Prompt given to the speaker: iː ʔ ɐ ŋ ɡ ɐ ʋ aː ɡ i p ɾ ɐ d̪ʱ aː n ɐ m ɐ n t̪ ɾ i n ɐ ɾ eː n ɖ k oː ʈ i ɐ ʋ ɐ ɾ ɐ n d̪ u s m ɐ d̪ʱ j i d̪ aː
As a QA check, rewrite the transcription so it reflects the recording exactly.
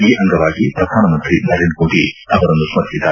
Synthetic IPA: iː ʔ ɐ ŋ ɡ ɐ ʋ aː ɡ i p ɾ ɐ d̪ʱ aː n ɐ m ɐ n t̪ ɾ i n ɐ ɾ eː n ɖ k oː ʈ i ɐ ʋ ɐ ɾ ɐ n d̪ u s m ɐ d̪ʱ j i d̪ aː